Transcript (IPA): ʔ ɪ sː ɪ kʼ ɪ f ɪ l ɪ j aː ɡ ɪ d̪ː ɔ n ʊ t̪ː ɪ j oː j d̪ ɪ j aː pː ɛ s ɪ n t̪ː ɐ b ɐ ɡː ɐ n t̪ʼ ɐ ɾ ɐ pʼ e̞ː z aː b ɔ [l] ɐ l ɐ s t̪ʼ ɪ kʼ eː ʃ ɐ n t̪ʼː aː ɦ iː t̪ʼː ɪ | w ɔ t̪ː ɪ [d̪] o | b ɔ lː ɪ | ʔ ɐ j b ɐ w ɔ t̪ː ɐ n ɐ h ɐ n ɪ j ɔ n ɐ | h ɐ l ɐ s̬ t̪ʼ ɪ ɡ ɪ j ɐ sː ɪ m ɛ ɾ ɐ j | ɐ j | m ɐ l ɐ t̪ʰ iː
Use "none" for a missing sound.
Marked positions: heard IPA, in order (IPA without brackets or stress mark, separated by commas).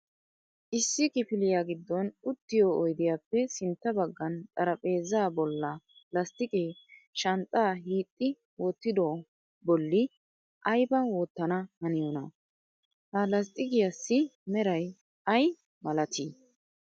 lː, d̪